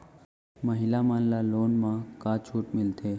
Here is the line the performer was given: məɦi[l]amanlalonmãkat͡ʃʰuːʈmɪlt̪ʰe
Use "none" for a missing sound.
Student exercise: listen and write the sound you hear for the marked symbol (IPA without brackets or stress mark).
l